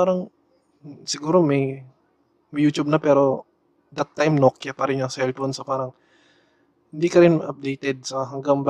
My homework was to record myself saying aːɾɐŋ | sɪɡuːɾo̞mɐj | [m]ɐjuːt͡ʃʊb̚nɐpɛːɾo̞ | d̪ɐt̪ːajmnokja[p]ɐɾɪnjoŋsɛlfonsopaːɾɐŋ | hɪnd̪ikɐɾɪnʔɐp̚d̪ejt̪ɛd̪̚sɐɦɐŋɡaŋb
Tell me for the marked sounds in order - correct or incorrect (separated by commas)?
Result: correct, correct